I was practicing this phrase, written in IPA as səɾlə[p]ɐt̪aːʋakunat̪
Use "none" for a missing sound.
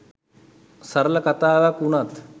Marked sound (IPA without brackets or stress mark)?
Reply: k